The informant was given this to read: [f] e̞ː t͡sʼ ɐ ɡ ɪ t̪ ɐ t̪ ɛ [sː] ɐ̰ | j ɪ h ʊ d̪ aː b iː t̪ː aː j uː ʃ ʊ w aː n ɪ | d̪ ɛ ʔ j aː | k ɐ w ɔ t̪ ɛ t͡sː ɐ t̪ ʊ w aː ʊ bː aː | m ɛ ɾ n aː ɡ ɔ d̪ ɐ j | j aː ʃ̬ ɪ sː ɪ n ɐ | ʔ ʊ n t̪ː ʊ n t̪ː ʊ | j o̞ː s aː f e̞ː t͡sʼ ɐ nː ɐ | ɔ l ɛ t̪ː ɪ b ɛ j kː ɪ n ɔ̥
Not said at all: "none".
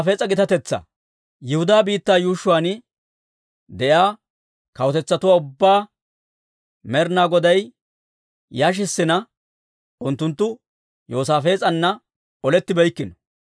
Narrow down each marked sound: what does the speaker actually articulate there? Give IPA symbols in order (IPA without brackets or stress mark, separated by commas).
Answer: f, t͡sː